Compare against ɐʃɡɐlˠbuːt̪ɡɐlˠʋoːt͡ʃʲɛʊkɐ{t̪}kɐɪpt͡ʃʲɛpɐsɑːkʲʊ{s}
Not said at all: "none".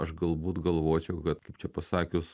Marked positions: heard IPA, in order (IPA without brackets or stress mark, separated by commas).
t̪, s